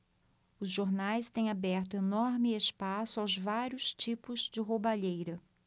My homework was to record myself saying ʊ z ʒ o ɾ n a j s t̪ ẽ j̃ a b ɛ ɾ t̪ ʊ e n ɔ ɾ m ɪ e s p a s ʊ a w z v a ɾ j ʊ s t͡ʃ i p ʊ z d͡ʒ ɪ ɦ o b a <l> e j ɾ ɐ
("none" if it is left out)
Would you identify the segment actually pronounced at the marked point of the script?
ʎ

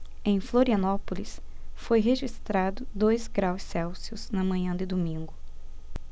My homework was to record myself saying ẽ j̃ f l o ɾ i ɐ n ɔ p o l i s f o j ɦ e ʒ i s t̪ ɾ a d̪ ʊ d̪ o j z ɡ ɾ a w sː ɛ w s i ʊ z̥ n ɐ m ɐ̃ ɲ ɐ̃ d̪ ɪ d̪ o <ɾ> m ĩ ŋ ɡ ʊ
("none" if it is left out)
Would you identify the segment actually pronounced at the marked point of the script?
none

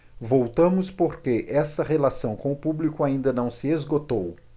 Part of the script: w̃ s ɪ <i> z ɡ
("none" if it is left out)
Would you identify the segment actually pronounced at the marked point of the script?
e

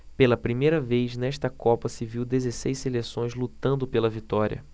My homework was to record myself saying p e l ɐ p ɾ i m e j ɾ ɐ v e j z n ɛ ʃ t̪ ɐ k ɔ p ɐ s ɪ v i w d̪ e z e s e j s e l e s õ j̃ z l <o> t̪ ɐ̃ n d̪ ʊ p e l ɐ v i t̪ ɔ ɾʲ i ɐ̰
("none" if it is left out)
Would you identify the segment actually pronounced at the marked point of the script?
u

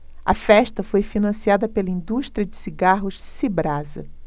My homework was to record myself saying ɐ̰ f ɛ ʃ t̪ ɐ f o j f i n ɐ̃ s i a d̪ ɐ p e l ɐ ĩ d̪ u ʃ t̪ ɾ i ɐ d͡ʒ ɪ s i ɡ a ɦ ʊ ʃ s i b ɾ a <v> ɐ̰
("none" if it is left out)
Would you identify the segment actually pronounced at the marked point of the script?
z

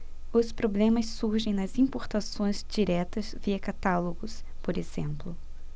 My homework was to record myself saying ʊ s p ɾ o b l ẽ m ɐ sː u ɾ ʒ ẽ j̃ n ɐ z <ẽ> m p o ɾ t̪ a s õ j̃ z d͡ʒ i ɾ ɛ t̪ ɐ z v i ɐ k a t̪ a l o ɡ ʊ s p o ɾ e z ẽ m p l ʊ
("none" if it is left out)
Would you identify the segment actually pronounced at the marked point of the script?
ĩ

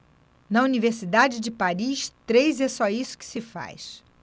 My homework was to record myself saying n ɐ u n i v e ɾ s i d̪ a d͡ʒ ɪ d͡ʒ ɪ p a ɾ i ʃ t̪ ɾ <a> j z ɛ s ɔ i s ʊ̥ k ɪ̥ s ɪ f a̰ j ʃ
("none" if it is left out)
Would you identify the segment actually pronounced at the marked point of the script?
e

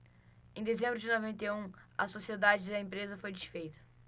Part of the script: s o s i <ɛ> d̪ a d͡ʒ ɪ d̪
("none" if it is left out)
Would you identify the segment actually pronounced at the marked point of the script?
e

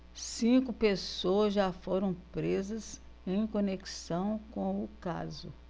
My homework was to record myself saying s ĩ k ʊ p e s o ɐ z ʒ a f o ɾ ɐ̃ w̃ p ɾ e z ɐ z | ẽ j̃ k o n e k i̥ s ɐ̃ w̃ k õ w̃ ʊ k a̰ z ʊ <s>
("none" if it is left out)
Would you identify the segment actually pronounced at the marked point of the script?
none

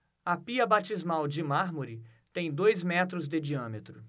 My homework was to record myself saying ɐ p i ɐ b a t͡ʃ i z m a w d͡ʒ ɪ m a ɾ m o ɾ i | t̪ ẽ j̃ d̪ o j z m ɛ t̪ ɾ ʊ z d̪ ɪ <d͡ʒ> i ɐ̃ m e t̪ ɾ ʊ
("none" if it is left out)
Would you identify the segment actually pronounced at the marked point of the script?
d͡ʒ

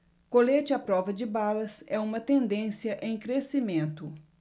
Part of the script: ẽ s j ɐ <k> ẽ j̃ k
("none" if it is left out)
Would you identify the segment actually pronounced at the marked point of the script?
ʔ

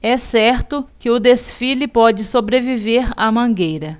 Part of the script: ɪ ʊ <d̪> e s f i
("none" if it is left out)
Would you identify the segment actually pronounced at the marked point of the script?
d̪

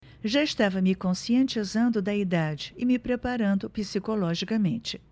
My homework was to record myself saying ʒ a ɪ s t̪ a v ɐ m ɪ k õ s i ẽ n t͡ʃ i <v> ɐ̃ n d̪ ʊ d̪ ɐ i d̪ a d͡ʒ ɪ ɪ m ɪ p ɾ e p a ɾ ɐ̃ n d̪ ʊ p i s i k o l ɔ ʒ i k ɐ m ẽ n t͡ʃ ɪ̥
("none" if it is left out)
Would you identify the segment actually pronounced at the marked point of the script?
z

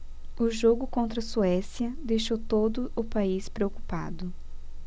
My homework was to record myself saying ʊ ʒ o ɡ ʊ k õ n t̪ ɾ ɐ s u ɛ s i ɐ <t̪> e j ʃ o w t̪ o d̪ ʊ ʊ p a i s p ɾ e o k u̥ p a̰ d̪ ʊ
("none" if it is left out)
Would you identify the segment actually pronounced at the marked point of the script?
d̪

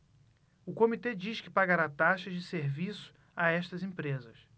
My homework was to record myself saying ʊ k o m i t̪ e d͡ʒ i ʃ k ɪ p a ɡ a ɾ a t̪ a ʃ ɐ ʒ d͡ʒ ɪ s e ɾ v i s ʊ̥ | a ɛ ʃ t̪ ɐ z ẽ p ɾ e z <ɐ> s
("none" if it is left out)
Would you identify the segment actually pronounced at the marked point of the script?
ɐ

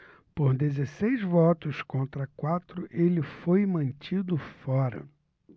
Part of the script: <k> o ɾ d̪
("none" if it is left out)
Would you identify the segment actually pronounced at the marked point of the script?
p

